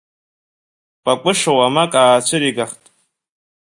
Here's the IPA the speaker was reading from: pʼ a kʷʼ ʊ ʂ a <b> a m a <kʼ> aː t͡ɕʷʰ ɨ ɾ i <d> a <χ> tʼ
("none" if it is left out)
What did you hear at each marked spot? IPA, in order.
w, kʼ, ɡ, χ

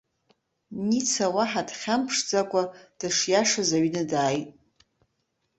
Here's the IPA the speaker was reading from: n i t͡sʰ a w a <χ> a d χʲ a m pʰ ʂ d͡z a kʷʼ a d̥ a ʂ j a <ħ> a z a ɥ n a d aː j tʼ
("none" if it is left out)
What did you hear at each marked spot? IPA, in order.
ħ, ʂ

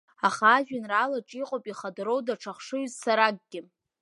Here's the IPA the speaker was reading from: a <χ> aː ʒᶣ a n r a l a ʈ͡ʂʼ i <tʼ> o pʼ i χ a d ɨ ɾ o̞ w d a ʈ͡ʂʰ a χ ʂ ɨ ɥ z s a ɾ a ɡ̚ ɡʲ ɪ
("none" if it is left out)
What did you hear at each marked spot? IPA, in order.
χ, qʼ

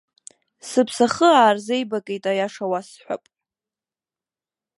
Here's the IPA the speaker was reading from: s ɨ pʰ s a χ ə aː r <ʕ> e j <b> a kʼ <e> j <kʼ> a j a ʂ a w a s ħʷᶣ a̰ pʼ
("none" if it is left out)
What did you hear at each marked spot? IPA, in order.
z, b, e, tʼ

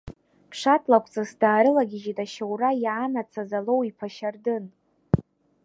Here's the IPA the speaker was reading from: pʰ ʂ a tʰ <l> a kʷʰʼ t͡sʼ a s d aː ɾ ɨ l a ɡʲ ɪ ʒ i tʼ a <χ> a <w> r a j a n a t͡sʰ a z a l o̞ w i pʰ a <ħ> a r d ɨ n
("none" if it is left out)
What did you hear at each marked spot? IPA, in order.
l, ʃ, w, ʃ

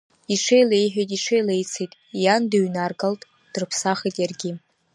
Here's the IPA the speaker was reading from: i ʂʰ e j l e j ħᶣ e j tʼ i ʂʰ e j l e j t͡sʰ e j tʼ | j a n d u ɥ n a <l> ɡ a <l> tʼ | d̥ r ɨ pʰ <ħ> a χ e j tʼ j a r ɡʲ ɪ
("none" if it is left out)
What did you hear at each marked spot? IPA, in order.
r, l, s

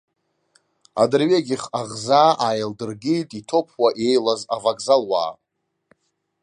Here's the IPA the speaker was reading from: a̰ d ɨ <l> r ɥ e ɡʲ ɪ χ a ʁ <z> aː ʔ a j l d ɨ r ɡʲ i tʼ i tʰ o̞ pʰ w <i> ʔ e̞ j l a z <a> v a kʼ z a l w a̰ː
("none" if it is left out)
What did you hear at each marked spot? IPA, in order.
none, z, a, a

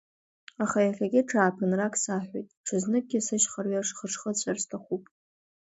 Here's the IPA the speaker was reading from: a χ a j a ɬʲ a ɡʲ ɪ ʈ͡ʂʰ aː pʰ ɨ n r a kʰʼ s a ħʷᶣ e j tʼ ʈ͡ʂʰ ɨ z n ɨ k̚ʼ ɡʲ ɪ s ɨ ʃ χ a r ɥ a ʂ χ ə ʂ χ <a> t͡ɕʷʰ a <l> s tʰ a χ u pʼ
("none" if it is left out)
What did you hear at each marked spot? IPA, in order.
ə, r

